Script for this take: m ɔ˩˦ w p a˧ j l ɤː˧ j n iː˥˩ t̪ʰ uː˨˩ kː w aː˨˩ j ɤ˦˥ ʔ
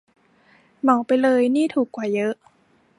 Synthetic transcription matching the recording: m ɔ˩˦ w p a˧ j l ɤː˧ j n iː˥˩ t̪ʰ uː˨˩ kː w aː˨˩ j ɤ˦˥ ʔ